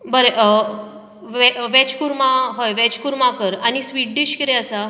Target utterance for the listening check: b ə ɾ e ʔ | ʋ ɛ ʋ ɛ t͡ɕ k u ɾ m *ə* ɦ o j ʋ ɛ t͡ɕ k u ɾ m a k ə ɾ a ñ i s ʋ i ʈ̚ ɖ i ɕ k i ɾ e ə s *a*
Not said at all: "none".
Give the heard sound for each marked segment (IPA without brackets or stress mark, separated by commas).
a, a